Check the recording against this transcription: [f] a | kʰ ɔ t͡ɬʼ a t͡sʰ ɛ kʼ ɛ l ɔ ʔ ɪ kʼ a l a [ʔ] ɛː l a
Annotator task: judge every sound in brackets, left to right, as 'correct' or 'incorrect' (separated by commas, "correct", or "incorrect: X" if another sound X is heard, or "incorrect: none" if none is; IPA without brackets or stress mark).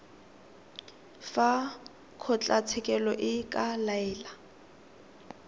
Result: correct, incorrect: none